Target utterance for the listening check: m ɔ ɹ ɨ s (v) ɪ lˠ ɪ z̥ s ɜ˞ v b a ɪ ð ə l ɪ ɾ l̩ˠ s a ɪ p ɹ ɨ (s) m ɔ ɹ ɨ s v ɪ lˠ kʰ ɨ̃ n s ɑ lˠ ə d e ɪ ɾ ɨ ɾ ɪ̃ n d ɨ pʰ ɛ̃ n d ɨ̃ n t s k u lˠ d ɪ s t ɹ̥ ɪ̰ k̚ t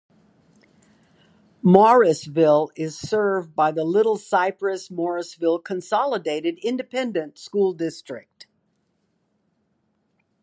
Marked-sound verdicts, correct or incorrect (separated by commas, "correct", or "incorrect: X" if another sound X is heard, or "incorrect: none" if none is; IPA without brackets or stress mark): correct, correct